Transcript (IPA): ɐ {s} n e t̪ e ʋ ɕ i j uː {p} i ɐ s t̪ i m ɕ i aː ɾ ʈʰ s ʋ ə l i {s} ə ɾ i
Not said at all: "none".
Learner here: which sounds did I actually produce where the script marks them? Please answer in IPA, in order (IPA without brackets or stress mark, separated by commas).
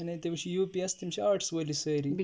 none, p, s